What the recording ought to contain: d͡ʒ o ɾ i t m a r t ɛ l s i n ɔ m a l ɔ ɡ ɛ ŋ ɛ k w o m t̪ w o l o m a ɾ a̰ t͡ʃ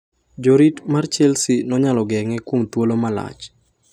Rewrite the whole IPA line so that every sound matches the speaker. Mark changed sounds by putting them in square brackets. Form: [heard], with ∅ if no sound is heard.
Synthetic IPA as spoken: d͡ʒ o ɾ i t m a r [t͡ʃ] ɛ l s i n ɔ [ɲ] a l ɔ ɡ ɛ ŋ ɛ k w o m t̪ w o l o m a [l] a̰ t͡ʃ